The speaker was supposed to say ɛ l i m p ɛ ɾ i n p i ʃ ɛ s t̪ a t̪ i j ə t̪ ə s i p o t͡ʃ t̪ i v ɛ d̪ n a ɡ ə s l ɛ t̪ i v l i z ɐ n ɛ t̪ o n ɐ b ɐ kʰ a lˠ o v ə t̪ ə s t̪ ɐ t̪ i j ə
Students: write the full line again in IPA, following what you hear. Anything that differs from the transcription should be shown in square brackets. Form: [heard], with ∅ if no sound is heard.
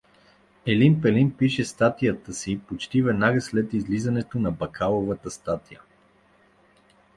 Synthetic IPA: ɛ l i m p ɛ [l] i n p i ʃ ɛ s t̪ a t̪ i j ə t̪ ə s i p o t͡ʃ t̪ i v ɛ d̪ n a ɡ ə s l ɛ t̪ i [z] l i z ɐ n ɛ t̪ o n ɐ b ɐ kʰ a lˠ o v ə t̪ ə s t̪ [a] t̪ i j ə